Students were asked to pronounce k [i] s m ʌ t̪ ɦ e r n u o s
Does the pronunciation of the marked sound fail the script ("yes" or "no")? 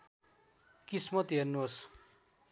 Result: no